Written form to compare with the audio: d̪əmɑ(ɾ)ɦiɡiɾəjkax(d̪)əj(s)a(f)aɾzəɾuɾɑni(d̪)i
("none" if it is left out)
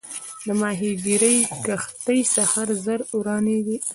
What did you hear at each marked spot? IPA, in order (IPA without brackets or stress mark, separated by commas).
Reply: none, t̪, s, h, d̪